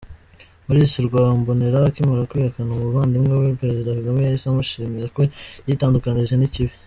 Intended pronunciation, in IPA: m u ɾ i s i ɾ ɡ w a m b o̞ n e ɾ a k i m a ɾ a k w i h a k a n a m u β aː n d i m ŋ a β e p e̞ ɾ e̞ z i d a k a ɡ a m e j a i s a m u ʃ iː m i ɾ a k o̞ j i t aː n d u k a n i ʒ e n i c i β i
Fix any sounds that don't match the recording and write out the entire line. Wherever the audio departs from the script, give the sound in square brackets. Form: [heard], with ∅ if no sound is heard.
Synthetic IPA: m u ɾ i s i ɾ ɡ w a m b o̞ n e ɾ a k i m a ɾ a k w i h a k a n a m u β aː n d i m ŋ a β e p e̞ ɾ e̞ z i d a k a ɡ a m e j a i s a m u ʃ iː m i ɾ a k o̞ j i t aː n d u k a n i ʒ e n i c i β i